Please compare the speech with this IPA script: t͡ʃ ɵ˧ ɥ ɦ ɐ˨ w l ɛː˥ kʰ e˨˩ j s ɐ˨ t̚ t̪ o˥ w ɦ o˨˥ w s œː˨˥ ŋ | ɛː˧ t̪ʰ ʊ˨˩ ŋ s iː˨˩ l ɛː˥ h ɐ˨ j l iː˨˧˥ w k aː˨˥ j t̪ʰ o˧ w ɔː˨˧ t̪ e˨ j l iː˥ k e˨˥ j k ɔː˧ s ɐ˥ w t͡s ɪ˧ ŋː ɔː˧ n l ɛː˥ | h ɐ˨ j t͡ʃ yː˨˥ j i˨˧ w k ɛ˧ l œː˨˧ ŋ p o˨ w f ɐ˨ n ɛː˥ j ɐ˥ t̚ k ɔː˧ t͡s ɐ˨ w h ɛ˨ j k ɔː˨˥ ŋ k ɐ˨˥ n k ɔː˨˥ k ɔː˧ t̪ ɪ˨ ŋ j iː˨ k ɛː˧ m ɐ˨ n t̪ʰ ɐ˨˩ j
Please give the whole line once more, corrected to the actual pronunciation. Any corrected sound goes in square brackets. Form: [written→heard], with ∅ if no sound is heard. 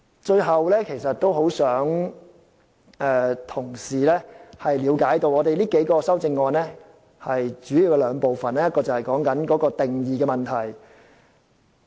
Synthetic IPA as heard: t͡ʃ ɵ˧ ɥ ɦ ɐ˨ w l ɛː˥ kʰ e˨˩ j s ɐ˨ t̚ t̪ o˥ w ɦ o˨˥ w s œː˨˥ ŋ | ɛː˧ t̪ʰ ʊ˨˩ ŋ s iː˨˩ l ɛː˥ h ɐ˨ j l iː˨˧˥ w k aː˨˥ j [t̪ʰ→t̪] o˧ w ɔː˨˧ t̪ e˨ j l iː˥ k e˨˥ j k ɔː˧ s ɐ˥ w t͡s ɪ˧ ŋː ɔː˧ n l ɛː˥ | h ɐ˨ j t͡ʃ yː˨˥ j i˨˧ w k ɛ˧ l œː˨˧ ŋ p o˨ w f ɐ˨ n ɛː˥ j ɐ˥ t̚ k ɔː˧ t͡s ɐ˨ w h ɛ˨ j k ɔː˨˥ ŋ k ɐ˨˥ n k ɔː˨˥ k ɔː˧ t̪ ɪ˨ ŋ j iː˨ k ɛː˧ m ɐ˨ n t̪ʰ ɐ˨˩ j